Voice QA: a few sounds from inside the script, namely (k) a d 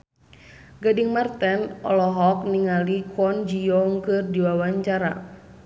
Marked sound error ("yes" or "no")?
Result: yes